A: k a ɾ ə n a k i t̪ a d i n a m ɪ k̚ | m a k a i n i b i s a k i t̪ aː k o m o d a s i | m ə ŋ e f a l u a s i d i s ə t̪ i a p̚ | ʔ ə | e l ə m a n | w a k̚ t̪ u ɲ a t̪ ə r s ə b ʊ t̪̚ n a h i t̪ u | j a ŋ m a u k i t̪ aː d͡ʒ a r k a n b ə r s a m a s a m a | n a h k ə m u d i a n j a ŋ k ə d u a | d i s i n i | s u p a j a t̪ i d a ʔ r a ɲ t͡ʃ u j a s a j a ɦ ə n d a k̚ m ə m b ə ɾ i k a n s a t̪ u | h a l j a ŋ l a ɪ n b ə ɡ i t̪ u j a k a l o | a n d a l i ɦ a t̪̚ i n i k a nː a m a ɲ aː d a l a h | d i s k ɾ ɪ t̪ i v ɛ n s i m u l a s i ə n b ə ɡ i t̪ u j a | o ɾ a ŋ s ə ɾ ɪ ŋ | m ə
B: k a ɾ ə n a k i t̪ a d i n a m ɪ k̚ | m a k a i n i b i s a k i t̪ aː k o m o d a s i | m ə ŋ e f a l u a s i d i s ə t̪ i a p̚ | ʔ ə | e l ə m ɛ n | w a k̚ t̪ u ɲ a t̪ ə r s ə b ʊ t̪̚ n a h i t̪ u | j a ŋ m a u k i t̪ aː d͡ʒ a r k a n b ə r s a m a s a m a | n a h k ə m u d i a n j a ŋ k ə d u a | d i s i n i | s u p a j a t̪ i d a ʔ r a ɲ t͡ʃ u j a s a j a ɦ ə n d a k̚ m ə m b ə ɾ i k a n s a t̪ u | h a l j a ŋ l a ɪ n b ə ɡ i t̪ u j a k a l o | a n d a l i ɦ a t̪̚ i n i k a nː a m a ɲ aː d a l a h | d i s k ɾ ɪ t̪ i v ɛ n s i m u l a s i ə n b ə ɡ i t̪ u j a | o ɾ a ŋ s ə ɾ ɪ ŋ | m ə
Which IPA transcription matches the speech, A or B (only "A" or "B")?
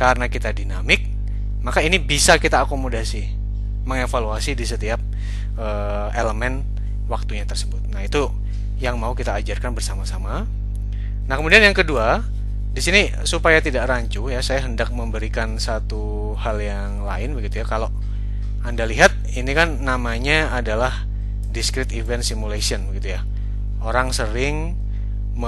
B